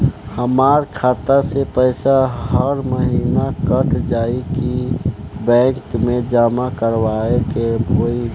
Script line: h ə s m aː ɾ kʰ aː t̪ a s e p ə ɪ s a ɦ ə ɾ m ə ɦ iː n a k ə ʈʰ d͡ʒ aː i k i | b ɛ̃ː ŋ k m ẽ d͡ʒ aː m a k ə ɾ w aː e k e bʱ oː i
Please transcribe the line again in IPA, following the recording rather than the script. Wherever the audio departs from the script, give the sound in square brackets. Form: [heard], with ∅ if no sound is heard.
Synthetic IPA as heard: h ə [∅] m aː ɾ kʰ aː t̪ a s e p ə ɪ s a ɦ ə ɾ m ə ɦ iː n a k ə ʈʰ d͡ʒ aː i k i | b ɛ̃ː ŋ k m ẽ d͡ʒ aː m a k ə ɾ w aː e k e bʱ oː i